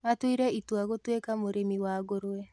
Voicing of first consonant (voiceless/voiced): voiceless